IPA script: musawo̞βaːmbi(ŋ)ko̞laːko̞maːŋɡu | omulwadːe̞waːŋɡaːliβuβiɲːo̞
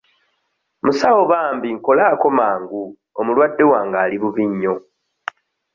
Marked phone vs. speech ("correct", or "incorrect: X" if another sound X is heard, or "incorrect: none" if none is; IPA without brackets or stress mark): correct